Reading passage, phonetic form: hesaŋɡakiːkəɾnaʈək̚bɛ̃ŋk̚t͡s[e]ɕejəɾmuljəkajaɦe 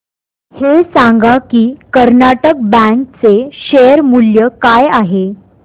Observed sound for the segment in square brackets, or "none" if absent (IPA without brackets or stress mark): e